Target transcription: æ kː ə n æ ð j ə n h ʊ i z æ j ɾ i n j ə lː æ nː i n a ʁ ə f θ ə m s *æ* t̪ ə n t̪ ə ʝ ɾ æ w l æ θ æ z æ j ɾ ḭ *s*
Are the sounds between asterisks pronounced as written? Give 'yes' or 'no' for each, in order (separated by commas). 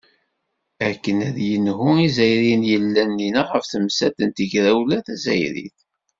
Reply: yes, no